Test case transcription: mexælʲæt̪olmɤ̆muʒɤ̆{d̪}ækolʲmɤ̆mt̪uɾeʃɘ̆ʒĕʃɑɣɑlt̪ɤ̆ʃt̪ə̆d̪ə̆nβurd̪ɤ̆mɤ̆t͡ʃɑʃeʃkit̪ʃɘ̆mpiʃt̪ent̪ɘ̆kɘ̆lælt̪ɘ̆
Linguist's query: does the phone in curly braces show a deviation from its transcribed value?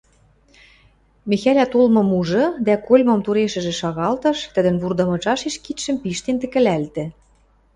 no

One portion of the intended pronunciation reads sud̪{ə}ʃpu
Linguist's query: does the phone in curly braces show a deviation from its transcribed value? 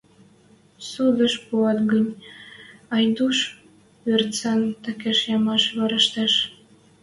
no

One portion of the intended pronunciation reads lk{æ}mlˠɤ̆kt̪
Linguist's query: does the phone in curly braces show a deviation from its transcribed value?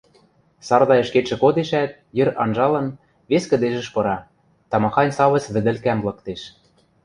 no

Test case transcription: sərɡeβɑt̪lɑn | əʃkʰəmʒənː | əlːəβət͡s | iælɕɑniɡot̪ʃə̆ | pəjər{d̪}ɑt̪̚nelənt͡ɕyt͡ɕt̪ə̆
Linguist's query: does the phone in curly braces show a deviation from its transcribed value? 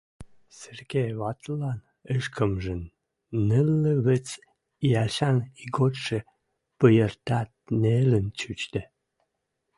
yes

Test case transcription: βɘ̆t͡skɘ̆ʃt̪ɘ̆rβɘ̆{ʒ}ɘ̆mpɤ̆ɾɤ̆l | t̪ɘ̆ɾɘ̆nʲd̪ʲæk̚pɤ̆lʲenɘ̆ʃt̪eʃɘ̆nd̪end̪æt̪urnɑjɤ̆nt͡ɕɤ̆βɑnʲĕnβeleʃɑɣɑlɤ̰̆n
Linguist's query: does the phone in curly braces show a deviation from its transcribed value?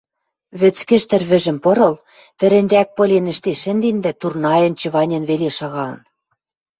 no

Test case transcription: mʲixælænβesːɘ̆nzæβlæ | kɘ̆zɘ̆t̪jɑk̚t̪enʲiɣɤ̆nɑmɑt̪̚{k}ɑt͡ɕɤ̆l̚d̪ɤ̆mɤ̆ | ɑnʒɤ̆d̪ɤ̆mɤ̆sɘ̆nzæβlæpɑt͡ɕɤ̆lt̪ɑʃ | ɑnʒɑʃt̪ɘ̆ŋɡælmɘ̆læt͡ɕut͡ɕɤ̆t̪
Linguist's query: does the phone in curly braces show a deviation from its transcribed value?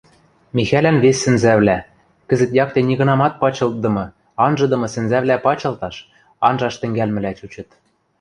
yes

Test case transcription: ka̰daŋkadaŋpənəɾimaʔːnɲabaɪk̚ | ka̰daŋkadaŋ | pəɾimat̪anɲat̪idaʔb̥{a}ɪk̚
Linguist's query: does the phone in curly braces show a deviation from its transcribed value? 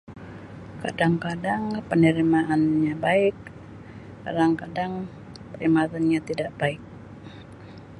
no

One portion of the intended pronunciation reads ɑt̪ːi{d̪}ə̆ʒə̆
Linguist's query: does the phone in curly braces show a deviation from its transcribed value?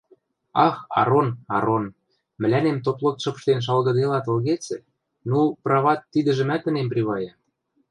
no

